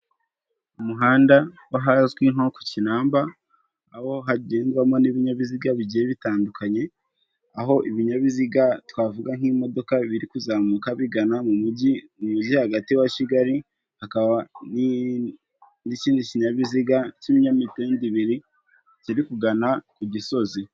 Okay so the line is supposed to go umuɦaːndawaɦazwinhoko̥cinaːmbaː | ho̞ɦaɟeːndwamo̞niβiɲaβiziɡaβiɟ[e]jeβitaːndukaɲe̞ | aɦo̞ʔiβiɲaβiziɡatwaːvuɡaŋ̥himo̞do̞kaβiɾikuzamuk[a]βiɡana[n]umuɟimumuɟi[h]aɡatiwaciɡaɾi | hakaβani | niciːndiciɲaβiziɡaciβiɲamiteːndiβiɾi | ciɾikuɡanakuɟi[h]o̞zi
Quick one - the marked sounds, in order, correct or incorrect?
incorrect: i, correct, incorrect: m, correct, incorrect: s

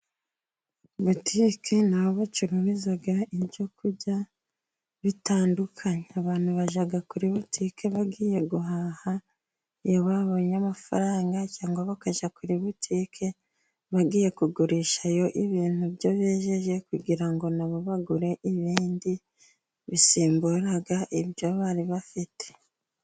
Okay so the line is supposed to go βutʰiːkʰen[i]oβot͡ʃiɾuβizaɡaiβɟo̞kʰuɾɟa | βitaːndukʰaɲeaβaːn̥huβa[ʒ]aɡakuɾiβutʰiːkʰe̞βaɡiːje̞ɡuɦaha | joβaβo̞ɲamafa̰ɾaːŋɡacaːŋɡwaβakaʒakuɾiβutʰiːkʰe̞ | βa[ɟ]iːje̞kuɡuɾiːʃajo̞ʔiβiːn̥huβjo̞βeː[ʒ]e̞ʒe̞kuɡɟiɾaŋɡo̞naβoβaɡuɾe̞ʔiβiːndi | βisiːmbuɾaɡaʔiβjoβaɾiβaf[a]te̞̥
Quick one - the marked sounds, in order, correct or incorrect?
incorrect: a, correct, incorrect: ɡ, correct, incorrect: i

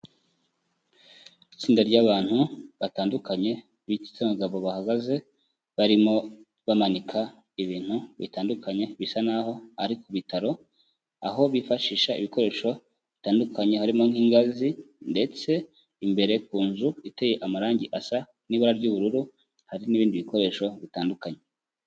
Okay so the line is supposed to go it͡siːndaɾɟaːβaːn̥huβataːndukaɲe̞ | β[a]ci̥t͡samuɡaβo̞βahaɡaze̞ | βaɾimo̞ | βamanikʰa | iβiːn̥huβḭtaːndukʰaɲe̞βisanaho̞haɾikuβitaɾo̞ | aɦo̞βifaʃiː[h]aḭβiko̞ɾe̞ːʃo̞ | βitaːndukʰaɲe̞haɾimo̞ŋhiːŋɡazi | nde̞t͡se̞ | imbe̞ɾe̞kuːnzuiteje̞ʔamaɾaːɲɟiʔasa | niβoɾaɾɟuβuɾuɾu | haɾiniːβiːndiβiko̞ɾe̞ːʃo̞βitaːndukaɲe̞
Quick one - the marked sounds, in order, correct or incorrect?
incorrect: i, incorrect: ʃ

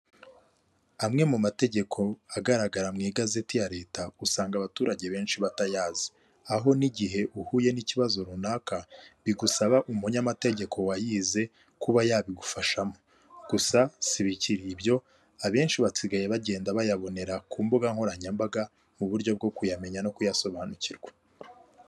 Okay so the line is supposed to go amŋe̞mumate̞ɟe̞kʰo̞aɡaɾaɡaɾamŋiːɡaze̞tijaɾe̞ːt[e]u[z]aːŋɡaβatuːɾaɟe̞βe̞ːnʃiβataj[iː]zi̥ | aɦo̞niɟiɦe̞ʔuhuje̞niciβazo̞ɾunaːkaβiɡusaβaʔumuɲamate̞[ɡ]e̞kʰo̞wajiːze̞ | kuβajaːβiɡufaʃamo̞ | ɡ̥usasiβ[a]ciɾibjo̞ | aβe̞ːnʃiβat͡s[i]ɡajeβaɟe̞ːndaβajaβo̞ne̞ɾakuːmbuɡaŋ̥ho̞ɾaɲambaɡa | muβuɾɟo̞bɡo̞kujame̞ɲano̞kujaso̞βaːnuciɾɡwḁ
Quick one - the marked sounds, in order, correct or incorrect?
incorrect: a, incorrect: s, incorrect: aː, incorrect: ɟ, incorrect: i, correct

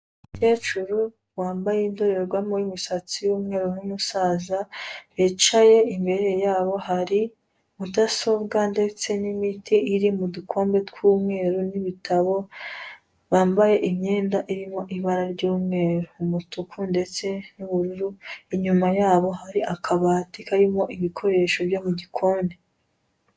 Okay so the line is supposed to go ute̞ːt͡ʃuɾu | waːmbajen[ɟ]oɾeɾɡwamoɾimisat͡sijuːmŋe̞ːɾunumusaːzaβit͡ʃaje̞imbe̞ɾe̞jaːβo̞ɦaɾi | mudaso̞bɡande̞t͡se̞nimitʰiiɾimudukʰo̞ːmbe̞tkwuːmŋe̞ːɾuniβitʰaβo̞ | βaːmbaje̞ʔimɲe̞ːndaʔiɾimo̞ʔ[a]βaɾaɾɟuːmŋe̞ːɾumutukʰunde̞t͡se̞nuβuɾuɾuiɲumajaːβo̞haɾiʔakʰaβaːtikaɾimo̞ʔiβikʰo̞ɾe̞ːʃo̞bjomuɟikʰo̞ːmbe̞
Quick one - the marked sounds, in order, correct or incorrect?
incorrect: d, incorrect: i

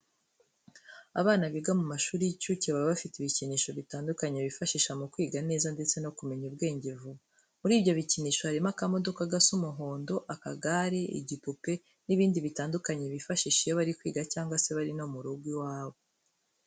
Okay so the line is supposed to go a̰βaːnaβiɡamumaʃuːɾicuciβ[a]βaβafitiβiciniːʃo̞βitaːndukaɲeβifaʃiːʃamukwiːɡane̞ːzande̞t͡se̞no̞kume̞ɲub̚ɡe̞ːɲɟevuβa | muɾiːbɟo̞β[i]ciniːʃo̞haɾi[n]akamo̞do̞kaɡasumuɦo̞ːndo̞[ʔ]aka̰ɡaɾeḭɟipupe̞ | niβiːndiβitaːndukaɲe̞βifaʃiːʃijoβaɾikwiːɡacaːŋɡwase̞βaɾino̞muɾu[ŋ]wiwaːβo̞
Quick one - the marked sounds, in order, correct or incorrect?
correct, correct, incorrect: m, correct, incorrect: ɡ

